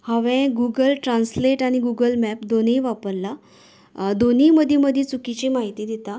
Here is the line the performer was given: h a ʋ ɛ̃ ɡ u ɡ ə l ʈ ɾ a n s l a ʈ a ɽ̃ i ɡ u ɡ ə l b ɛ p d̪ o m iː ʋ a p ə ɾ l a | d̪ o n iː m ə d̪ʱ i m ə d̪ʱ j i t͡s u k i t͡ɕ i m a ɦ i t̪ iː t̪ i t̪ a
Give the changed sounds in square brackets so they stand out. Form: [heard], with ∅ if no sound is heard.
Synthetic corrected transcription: h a ʋ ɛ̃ ɡ u ɡ ə l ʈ ɾ a n s l [e] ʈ a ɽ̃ i ɡ u ɡ ə l [m] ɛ p d̪ o [n] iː ʋ a p ə ɾ l a | d̪ o n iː m ə d̪ʱ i m ə d̪ʱ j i t͡s u k i t͡ɕ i m a ɦ i t̪ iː [d̪] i t̪ a